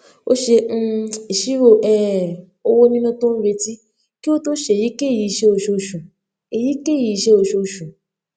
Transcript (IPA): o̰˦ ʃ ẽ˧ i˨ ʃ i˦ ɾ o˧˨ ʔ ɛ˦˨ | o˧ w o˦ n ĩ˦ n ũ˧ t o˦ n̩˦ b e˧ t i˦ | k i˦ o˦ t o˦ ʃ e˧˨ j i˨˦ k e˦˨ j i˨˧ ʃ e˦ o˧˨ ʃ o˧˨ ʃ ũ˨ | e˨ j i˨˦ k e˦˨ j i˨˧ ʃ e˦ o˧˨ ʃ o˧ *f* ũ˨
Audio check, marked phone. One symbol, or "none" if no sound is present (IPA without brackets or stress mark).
ʃ